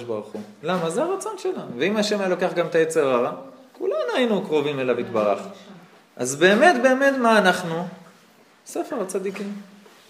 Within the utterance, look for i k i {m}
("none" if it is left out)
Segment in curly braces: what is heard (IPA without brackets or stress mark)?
m